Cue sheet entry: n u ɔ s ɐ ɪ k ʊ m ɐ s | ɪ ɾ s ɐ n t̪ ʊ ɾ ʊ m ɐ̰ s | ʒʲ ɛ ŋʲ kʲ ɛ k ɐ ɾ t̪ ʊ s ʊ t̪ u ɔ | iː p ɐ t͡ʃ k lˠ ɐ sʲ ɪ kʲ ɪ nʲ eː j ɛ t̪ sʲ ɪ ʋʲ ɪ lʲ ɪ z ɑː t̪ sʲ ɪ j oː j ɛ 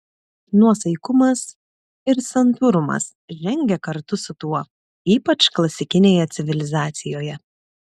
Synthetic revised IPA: n u ɔ s ɐ ɪ k ʊ m ɐ s | ɪ ɾ s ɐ n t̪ ʊ ɾ ʊ m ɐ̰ s | ʒʲ ɛ ŋʲ ɡʲ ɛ k ɐ ɾ t̪ ʊ s ʊ t̪ u ɔ | iː p ɐ t͡ʃ k lˠ ɐ sʲ ɪ kʲ ɪ nʲ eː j ɛ t̪ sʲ ɪ ʋʲ ɪ lʲ ɪ z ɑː t̪ sʲ ɪ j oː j ɛ